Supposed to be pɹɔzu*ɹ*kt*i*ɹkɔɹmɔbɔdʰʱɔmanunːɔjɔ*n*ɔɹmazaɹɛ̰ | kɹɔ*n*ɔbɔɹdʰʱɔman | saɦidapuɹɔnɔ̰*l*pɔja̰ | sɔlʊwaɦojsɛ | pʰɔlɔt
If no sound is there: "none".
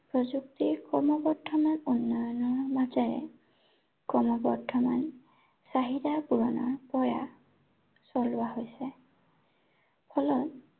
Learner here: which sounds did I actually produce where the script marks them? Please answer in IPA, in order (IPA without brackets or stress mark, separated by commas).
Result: none, i, n, m, ɹ